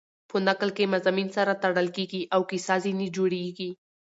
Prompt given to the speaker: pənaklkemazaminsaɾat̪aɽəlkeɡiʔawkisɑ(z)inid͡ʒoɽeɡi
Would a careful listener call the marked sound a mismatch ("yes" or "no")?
no